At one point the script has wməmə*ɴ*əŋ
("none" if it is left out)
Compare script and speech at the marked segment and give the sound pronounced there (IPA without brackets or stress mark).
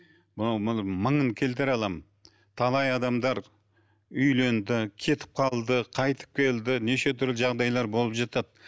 ɴ